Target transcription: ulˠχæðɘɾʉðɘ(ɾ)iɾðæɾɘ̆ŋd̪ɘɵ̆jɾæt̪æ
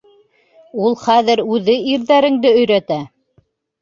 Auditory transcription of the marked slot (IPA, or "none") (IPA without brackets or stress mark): none